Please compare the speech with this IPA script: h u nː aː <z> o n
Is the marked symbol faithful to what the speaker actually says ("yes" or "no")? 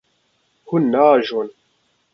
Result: no